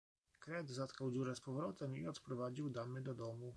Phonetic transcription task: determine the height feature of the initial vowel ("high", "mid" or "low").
mid